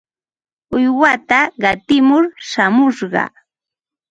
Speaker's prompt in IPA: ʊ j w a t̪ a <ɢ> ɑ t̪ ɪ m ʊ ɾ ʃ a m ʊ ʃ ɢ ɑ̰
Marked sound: correct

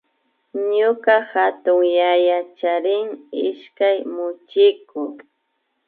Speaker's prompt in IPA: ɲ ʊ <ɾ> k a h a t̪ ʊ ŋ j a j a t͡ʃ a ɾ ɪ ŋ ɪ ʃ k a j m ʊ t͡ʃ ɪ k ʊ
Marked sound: incorrect: none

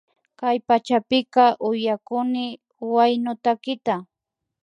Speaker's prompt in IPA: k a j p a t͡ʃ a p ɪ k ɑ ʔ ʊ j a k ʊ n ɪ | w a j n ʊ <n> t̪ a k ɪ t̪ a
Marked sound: incorrect: none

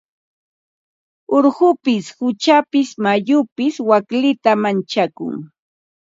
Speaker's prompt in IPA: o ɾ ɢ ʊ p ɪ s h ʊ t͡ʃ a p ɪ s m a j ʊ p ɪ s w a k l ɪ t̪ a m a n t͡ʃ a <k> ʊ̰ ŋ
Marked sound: correct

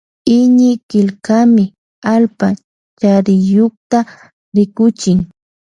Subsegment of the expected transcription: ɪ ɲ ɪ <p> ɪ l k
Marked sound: incorrect: k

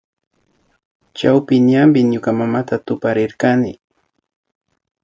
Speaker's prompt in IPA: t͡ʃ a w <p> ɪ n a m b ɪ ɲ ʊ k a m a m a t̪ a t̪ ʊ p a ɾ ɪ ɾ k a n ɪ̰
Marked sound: correct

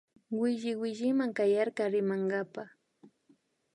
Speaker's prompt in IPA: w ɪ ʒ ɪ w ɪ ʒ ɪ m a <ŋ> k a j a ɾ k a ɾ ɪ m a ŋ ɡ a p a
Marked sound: correct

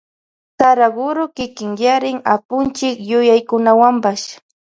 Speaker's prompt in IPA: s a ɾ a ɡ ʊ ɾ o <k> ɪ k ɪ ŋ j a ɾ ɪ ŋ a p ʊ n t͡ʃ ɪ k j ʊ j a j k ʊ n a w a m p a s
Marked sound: correct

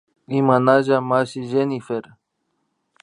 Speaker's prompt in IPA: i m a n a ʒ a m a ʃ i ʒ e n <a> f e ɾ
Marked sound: incorrect: i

